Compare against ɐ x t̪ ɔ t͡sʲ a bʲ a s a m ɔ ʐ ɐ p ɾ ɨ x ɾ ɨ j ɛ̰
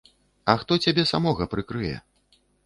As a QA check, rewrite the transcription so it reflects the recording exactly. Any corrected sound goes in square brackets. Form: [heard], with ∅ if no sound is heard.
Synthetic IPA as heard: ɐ x t̪ ɔ t͡sʲ a bʲ [ɛ] s a m ɔ [ɣ] ɐ p ɾ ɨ [k] ɾ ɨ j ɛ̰